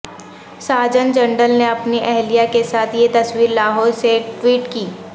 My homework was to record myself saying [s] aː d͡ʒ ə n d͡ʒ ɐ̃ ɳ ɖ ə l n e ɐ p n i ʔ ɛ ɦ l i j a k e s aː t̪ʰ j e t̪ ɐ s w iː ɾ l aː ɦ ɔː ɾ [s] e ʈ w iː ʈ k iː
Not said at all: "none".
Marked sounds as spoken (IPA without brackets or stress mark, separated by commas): s, s